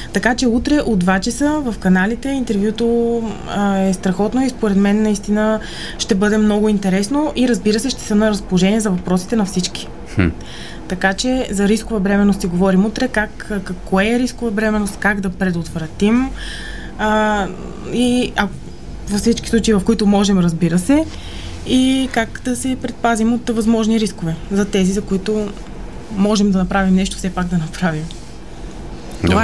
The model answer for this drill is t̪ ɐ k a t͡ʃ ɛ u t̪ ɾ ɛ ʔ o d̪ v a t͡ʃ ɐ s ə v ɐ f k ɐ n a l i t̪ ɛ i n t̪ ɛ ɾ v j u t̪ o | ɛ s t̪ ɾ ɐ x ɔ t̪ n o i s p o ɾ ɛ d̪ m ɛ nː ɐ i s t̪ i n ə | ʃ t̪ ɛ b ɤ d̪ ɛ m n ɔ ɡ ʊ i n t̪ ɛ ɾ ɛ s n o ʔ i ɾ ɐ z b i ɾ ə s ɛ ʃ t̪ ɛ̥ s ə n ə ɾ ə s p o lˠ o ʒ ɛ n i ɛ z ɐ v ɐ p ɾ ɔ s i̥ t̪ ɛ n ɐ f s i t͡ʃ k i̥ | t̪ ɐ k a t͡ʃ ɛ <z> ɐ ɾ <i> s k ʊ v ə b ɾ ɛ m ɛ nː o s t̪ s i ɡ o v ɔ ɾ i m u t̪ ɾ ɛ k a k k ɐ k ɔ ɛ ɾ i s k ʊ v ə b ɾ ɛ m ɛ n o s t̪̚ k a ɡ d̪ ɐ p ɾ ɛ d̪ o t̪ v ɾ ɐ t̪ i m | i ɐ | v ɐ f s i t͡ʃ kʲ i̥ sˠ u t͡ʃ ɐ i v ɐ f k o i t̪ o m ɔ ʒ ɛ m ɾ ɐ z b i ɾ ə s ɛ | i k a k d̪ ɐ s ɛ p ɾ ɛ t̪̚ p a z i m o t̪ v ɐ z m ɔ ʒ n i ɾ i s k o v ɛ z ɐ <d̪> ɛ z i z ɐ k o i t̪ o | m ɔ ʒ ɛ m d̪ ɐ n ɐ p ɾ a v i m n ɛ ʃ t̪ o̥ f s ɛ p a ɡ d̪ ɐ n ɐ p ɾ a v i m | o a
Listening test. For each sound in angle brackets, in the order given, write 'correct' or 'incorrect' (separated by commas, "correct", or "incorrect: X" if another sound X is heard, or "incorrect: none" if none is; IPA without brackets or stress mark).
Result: correct, correct, incorrect: t̪